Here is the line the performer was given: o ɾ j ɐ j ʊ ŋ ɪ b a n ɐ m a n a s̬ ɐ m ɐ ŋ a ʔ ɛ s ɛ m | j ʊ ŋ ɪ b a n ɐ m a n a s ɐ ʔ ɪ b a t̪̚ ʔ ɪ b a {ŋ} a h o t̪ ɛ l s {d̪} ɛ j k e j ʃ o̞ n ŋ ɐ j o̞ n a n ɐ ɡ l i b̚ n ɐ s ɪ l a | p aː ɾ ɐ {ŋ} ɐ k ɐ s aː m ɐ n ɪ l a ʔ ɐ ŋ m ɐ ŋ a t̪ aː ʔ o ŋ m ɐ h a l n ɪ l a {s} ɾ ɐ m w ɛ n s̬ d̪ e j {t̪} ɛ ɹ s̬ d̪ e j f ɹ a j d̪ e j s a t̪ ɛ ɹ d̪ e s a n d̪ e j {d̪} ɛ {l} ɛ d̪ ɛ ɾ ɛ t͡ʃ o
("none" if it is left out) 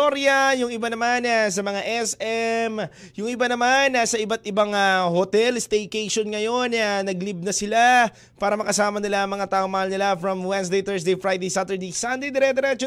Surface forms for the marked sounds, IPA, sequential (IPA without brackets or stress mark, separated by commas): ŋ, t̪, m, f, t̪, d̪, ɾ